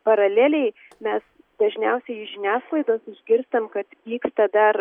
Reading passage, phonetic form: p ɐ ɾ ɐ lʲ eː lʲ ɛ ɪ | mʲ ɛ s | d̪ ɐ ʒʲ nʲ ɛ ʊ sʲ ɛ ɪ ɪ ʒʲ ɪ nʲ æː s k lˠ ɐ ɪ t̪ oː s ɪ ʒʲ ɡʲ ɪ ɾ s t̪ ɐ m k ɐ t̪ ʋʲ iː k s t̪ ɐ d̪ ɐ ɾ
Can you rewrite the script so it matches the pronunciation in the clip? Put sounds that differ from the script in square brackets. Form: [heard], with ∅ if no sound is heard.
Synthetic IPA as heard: p ɐ ɾ ɐ lʲ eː lʲ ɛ ɪ | mʲ ɛ s | d̪ ɐ ʒʲ nʲ ɛ ʊ sʲ ɛ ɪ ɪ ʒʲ ɪ nʲ æː s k lˠ ɐ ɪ [d̪] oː s ɪ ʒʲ ɡʲ ɪ ɾ s t̪ ɐ m k ɐ t̪ ʋʲ iː k s t̪ ɐ d̪ ɐ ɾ